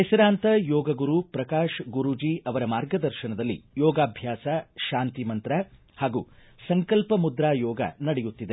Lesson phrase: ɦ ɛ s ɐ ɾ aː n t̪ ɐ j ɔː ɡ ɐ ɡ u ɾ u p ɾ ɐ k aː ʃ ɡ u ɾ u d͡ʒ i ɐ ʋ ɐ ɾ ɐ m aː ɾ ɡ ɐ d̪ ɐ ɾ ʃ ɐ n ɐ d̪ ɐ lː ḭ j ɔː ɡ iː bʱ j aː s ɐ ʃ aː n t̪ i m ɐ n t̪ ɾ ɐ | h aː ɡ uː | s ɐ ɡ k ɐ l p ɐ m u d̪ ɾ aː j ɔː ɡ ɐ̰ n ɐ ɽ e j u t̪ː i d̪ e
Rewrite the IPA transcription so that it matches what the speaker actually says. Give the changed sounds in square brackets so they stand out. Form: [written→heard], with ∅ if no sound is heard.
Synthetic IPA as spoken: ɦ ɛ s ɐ ɾ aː n t̪ ɐ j ɔː ɡ ɐ ɡ u ɾ u p ɾ ɐ k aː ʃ ɡ u ɾ u d͡ʒ i ɐ ʋ ɐ ɾ ɐ m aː ɾ ɡ ɐ d̪ ɐ ɾ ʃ ɐ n ɐ d̪ ɐ lː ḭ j ɔː ɡ [iː→aː] bʱ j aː s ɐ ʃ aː n t̪ i m ɐ n t̪ ɾ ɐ | h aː ɡ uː | s ɐ [ɡ→ŋ] k ɐ l p ɐ m u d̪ ɾ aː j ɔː ɡ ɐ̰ n ɐ ɽ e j u t̪ː i d̪ e